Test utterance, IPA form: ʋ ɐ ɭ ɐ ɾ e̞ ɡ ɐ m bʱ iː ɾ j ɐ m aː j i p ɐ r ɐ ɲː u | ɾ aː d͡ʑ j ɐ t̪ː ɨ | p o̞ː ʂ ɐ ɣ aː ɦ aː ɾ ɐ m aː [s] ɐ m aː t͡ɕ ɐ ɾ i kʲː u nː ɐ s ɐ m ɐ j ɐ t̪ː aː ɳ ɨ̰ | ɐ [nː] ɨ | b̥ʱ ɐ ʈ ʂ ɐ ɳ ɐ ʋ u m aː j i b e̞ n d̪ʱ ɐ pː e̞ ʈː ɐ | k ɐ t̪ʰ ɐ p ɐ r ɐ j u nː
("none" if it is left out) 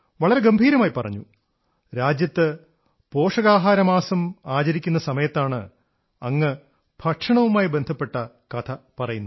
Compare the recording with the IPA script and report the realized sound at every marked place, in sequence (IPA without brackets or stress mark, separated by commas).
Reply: s, ŋː